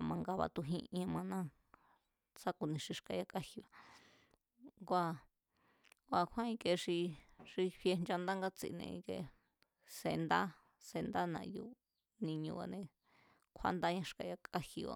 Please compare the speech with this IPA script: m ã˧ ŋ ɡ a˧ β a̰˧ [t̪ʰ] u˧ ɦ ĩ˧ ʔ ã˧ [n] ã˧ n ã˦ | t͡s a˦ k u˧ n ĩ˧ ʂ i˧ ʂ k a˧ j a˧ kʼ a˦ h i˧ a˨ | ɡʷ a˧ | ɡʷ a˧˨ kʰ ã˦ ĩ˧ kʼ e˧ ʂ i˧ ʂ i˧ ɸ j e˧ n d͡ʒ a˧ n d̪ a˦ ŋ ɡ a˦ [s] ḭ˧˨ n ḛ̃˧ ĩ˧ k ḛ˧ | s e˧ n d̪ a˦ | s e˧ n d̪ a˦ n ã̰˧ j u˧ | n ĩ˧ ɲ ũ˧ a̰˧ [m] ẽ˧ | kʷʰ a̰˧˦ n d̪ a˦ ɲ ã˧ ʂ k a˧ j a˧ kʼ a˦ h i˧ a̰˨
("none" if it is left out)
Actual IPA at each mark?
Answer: t̪, m, t͡s, n

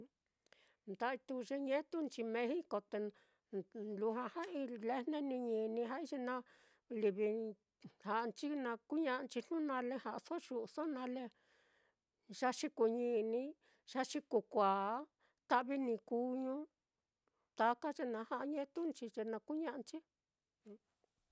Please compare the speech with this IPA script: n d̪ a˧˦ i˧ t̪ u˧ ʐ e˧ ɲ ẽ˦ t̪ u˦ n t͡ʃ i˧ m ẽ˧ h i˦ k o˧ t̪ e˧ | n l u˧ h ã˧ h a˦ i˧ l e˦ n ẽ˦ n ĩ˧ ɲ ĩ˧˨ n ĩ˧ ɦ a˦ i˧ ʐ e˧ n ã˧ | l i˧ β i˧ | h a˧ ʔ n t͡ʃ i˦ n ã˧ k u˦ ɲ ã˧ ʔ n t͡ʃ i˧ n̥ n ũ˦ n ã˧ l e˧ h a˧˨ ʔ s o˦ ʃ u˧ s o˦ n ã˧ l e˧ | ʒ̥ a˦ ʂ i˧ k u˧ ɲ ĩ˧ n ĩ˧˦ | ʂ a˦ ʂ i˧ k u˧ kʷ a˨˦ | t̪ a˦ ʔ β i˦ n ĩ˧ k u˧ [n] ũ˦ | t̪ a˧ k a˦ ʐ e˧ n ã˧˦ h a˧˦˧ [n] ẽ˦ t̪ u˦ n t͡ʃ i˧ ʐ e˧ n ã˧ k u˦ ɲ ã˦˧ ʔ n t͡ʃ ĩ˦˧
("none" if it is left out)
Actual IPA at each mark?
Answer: ɲ, ɲ

